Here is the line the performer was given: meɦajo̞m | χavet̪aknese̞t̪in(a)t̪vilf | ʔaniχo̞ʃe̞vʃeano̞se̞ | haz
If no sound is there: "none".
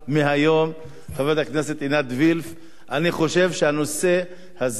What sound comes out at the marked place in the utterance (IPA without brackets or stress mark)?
a